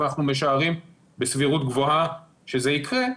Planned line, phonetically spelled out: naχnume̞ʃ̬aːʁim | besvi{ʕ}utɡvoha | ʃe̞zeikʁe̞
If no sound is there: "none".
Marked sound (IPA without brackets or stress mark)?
ʁ